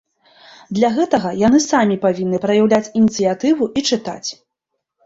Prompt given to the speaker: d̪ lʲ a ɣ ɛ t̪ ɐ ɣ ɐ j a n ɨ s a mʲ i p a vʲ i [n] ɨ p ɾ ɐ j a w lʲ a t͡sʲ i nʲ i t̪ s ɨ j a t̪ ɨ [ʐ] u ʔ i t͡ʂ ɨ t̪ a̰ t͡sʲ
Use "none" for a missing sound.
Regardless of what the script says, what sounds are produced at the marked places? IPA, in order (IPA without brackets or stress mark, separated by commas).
nː, v